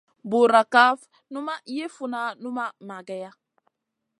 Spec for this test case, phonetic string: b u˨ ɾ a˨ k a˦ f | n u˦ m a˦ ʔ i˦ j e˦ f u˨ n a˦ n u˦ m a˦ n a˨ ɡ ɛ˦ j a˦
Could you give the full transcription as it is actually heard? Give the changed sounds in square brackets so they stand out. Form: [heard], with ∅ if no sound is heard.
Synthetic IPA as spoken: b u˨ ɾ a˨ k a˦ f | n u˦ m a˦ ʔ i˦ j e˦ f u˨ n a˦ n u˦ m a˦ [m] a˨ ɡ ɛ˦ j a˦